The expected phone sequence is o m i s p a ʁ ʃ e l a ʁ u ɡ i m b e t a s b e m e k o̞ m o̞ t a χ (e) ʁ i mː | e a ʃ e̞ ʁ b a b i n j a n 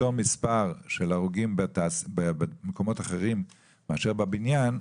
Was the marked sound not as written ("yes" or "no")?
no